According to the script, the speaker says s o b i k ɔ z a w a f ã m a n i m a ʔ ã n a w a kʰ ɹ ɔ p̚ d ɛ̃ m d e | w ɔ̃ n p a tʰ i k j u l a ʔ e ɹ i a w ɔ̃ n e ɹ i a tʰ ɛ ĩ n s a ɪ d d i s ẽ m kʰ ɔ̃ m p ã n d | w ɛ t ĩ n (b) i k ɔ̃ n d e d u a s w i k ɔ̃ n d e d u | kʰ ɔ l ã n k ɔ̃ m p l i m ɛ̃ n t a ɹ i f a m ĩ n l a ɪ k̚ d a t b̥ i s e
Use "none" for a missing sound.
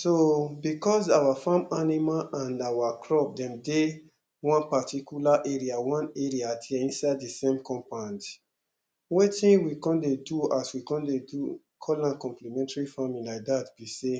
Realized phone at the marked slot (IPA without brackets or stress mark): w